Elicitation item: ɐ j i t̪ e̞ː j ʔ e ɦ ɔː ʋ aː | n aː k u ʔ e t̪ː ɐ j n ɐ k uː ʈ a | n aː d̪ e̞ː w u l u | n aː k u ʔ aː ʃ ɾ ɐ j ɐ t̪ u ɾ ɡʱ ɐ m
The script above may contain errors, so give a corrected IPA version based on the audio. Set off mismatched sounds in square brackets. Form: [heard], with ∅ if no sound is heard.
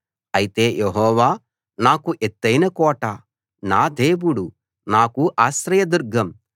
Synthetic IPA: ɐ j i t̪ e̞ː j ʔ e ɦ ɔː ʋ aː | n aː k u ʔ e t̪ː ɐ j n ɐ k [ɔː] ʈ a | n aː d̪ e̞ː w u [ɽ] u | n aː k u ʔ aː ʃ ɾ ɐ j ɐ [d̪] u ɾ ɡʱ ɐ m